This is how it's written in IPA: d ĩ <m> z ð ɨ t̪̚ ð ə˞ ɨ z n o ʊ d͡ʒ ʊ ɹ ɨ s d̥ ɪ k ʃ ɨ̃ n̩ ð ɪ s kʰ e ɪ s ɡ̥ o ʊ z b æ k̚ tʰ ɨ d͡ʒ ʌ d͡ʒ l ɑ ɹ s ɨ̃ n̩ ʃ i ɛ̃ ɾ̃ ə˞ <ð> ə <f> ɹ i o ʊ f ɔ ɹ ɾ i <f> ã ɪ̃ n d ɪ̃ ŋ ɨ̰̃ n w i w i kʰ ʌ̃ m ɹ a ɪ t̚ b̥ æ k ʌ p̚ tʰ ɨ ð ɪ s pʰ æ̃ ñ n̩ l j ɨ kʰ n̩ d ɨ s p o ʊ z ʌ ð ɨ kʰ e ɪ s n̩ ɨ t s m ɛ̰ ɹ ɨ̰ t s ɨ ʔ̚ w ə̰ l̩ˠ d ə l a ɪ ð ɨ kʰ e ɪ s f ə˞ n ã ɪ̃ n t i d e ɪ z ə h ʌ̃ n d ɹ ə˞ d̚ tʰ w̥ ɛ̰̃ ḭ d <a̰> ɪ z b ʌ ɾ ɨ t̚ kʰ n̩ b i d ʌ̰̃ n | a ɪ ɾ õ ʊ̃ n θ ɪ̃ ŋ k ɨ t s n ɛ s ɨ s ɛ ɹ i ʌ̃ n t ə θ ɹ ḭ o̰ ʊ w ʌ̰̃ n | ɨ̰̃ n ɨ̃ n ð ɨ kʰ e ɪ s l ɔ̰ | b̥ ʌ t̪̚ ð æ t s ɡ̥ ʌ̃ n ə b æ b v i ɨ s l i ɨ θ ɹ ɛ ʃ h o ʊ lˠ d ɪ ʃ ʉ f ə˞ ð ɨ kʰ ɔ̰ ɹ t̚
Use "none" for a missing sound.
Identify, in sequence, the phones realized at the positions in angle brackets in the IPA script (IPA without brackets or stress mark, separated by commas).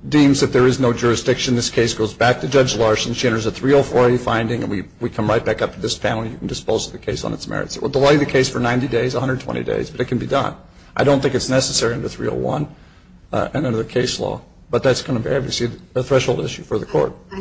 m, z, θ, f, ḛ